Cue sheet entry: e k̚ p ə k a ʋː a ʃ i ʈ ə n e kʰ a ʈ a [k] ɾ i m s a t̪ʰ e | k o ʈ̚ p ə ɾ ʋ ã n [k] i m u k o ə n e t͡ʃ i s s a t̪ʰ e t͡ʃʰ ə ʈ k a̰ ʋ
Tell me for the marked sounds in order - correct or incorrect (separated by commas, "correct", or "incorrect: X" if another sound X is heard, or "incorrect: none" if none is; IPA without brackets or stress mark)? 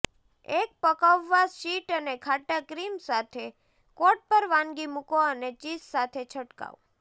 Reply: correct, incorrect: ɡ